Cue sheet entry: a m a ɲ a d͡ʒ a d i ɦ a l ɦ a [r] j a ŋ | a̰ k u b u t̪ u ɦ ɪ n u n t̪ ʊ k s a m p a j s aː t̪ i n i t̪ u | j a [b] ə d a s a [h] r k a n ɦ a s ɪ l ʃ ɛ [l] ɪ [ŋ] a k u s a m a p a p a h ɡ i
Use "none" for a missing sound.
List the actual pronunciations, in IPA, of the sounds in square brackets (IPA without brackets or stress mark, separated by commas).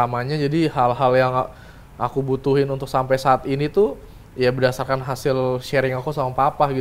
l, b, none, ɾ, ŋ